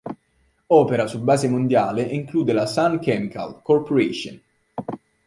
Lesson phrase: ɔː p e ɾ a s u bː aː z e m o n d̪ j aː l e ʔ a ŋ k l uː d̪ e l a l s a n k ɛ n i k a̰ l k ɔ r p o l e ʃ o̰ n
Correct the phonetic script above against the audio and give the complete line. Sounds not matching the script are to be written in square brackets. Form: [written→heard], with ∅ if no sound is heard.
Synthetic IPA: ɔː p e ɾ a s u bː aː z e m o n d̪ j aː l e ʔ [a→i] ŋ k l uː d̪ e l a [l→∅] s a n k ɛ [n→m] i k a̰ l k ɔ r p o [l→ɾ] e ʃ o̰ n